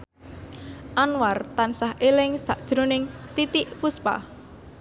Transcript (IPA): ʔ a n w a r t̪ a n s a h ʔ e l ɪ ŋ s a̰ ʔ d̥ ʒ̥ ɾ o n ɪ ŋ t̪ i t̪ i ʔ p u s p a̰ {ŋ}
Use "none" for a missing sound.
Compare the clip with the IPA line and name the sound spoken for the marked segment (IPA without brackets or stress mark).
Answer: none